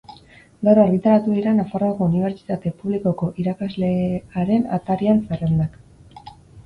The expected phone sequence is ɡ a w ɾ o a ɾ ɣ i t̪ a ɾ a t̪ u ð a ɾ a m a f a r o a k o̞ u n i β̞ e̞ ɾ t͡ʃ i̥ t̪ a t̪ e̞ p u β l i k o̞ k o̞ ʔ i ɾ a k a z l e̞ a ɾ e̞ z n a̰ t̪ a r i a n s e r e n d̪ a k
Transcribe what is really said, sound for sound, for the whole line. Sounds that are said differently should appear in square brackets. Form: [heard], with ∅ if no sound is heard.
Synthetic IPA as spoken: ɡ a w ɾ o a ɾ ɣ i t̪ a ɾ a t̪ u ð [i] ɾ a [n] a f a r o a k o̞ u n i β̞ e̞ ɾ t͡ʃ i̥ t̪ a t̪ e̞ p u β l i k o̞ k o̞ ʔ i ɾ a k a z l e̞ a ɾ e̞ [∅] n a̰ t̪ a [ɾ] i a n s e r e n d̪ a k